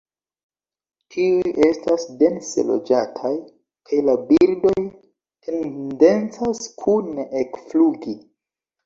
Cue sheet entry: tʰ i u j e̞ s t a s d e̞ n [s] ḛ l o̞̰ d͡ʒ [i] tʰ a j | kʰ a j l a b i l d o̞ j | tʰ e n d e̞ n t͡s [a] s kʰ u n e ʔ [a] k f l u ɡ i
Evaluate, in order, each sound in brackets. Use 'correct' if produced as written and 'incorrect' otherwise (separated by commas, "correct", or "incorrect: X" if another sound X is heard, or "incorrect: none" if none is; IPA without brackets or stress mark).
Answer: correct, incorrect: a, correct, incorrect: e